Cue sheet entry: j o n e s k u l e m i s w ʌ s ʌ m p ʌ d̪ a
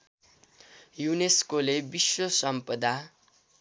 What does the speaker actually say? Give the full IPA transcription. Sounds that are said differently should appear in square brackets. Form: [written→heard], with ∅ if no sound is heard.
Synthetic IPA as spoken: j [o→u] n e s k [u→o] l e [m→b] i s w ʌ s ʌ m p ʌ d̪ a